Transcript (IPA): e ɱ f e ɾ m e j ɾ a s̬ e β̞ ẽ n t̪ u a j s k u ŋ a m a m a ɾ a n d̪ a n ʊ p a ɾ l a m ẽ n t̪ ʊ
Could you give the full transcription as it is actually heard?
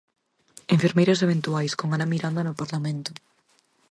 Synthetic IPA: e ɱ f e ɾ m e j ɾ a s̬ e β̞ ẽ n t̪ u a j s k o ŋ a n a m i ɾ a n d̪ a n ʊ p a ɾ l a m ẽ n t̪ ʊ